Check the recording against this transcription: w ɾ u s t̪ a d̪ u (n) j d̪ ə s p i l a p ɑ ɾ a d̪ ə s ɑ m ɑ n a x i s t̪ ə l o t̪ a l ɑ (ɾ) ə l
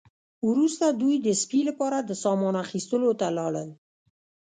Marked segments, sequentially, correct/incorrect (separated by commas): incorrect, incorrect